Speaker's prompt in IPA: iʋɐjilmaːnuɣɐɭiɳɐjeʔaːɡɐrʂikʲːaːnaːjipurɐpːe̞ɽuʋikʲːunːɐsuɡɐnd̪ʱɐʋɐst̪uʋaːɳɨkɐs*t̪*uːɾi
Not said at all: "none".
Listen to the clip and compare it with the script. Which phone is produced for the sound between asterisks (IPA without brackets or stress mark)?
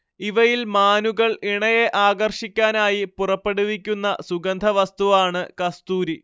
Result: t̪